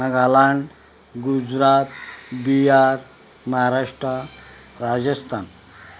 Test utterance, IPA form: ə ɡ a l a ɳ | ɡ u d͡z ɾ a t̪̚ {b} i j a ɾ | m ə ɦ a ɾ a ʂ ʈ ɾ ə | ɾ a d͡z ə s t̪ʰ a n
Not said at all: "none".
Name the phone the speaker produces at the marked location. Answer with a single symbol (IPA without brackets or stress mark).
b